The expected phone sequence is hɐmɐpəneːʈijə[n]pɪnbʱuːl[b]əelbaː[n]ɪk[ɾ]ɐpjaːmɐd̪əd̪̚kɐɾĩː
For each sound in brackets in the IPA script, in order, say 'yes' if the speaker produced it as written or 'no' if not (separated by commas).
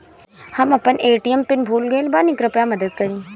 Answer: no, no, yes, yes